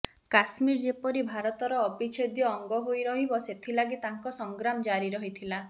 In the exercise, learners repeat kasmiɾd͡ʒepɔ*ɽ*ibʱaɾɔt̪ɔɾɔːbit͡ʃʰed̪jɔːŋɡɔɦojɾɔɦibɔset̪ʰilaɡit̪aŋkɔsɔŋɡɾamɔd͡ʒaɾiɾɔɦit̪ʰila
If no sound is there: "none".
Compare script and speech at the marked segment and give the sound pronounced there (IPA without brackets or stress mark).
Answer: ɾ